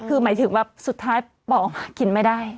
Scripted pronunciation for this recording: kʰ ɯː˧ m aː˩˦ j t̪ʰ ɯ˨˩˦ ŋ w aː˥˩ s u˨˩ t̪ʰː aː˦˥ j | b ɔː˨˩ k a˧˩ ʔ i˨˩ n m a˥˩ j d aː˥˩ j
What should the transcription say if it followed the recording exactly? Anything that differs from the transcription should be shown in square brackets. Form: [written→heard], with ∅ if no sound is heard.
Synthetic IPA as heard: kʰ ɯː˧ m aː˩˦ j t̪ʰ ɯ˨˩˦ ŋ w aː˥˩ s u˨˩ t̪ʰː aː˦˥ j | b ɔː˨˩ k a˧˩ [ʔ→k] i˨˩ n m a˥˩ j d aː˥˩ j